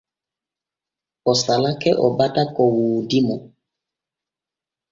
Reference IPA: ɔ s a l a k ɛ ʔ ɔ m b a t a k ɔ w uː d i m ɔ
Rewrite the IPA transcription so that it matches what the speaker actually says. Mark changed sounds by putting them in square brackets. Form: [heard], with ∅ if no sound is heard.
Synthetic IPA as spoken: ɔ s a l a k ɛ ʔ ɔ [∅] b a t a k ɔ w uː d i m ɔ

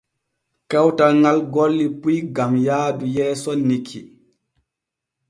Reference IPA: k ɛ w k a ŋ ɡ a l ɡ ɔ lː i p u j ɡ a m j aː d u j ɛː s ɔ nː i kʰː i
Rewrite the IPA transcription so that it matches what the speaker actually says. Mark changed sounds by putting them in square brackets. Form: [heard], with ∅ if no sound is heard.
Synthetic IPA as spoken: k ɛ w [t] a ŋ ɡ a l ɡ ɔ lː i p u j ɡ a m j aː d u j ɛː s ɔ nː i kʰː i

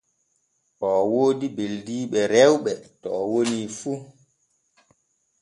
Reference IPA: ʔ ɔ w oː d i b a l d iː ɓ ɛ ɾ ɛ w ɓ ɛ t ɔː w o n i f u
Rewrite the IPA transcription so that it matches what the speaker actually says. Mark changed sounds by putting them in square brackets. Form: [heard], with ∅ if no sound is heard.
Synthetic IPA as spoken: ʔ ɔ w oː d i b [e] l d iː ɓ ɛ ɾ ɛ w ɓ ɛ t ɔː w o n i f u

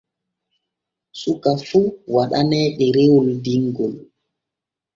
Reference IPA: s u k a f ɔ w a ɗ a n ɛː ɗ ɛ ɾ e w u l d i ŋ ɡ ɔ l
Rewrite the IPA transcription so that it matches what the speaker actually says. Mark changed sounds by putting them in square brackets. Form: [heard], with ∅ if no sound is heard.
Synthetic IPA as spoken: s u k a f [u] w a ɗ a n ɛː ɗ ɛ ɾ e w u l d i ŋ ɡ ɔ l

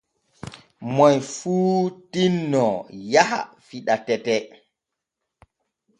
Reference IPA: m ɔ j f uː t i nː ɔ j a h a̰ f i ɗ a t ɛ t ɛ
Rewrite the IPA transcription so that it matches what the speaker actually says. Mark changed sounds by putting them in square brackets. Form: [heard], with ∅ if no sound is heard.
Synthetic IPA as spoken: m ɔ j f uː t i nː ɔ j a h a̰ f i ɗ a t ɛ t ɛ

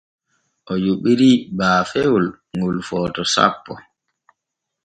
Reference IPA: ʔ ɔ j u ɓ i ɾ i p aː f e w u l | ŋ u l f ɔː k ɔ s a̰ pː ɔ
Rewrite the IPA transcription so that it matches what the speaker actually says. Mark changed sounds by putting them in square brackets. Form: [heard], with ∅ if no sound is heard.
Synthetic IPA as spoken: ʔ ɔ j u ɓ i ɾ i [b] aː f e w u l | ŋ u l f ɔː [t] ɔ s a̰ pː ɔ

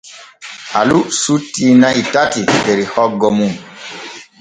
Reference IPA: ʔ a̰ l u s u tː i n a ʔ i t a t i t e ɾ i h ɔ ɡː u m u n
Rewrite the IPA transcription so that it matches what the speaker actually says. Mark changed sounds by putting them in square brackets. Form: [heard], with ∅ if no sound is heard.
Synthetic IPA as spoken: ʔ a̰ l u s u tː i n a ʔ i t a t i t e ɾ i h ɔ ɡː [ɔ] m u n

